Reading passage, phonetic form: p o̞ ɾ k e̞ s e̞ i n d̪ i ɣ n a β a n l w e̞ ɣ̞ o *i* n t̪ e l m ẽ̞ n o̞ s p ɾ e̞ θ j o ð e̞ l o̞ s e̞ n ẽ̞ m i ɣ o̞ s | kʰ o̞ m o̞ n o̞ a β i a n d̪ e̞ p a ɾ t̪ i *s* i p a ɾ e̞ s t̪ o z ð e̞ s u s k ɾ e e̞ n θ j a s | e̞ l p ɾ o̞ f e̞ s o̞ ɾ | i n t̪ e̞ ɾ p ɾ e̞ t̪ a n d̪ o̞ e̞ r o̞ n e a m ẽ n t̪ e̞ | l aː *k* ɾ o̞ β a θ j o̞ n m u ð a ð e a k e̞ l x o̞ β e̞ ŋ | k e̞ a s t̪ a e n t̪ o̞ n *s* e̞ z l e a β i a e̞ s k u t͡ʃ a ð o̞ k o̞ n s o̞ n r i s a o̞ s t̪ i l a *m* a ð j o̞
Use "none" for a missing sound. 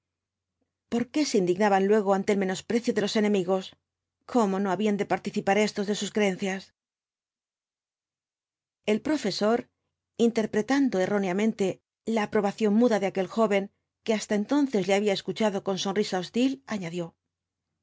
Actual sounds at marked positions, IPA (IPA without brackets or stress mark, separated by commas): a, θ, p, θ, ɲ